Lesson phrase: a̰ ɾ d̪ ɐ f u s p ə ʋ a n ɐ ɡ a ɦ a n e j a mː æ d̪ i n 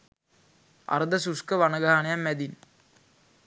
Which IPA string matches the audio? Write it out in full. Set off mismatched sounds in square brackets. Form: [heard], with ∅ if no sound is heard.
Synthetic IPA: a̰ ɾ d̪ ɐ [s] u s [k] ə ʋ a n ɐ ɡ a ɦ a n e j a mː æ d̪ i n